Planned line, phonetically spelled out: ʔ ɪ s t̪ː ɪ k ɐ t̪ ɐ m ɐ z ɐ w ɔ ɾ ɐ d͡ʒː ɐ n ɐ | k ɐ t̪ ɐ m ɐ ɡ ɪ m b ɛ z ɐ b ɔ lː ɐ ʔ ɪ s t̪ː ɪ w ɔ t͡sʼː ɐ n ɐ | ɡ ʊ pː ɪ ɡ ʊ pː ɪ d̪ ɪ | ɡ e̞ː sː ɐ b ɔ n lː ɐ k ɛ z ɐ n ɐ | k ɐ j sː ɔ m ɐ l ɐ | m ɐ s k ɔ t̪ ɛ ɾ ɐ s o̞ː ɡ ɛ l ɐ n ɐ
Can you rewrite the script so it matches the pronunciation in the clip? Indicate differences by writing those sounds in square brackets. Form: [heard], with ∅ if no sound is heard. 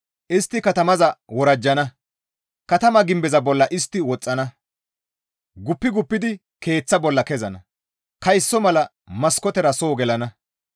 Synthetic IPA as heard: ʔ ɪ s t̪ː ɪ k ɐ t̪ ɐ m ɐ z ɐ w ɔ ɾ ɐ d͡ʒː ɐ n ɐ | k ɐ t̪ ɐ m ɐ ɡ ɪ m b ɛ z ɐ b ɔ lː ɐ ʔ ɪ s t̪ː ɪ w ɔ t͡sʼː ɐ n ɐ | ɡ ʊ pː ɪ ɡ ʊ pː ɪ d̪ ɪ | [k] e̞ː [t͡sː] ɐ b ɔ [∅] lː ɐ k ɛ z ɐ n ɐ | k ɐ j sː ɔ m ɐ l ɐ | m ɐ s k ɔ t̪ ɛ ɾ ɐ s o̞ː ɡ ɛ l ɐ n ɐ